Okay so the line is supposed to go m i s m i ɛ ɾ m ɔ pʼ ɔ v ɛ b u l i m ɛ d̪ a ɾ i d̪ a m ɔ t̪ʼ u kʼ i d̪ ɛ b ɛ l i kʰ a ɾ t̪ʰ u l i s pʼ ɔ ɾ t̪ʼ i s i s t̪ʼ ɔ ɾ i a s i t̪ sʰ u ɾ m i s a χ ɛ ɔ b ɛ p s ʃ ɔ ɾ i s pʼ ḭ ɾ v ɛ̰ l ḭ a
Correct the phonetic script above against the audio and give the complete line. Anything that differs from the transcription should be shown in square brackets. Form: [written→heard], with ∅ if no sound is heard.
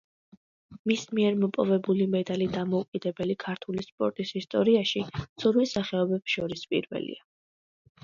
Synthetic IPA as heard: m i s m i ɛ ɾ m ɔ pʼ ɔ v ɛ b u l i m ɛ d̪ a [ɾ→l] i d̪ a m ɔ [t̪ʼ→∅] u kʼ i d̪ ɛ b ɛ l i kʰ a ɾ t̪ʰ u l i s pʼ ɔ ɾ t̪ʼ i s i s t̪ʼ ɔ ɾ i a [s→ʃ] i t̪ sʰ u ɾ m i s a χ ɛ ɔ b ɛ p s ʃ ɔ ɾ i s pʼ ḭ ɾ v ɛ̰ l ḭ a